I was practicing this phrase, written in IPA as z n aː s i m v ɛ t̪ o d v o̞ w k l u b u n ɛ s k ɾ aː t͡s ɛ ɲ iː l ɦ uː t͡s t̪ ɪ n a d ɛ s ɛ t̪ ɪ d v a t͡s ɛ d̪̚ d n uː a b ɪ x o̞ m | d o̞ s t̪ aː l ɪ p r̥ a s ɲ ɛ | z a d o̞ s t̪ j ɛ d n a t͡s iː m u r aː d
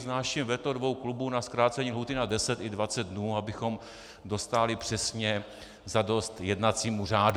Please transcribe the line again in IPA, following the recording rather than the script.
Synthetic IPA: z n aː ʃ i m v ɛ t̪ o d v o̞ w k l u b u n a s k ɾ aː t͡s ɛ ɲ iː l ɦ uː t̪ ɪ n a d ɛ s ɛ t̪ ɪ d v a t͡s ɛ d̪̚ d n uː a b ɪ x o̞ m | d o̞ s t̪ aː l ɪ p r̥ ɛ s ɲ ɛ | z a d o̞ s t̪ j ɛ d n a t͡s iː m u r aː d